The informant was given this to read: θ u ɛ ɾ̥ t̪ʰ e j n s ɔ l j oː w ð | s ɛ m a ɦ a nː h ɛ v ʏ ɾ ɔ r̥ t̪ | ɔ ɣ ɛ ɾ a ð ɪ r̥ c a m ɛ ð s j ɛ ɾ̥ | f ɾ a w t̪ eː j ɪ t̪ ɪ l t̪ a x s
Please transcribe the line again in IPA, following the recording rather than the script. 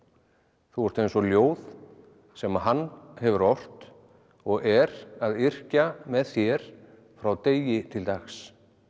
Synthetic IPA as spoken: θ u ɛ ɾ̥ t̪ e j n s ɔ l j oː w ð | s ɛ m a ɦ a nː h ɛ v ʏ ɾ ɔ r̥ t̪ | ɔ ɣ ɛ ɾ a ð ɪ r̥ c a m ɛ ð θ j ɛ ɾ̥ | f ɾ a w t̪ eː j ɪ t̪ʰ ɪ l t̪ a x s